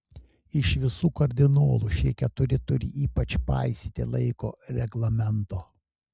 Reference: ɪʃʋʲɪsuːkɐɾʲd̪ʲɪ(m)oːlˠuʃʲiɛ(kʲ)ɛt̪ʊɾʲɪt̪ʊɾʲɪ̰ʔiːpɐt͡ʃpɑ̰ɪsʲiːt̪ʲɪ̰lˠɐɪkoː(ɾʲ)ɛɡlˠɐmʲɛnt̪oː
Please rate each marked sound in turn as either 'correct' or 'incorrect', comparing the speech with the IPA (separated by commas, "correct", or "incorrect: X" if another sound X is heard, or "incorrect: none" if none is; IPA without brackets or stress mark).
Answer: incorrect: n, correct, correct